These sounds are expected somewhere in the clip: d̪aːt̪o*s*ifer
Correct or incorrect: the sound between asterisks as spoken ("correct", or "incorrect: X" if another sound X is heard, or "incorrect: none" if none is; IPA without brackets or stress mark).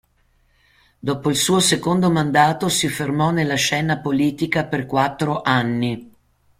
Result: correct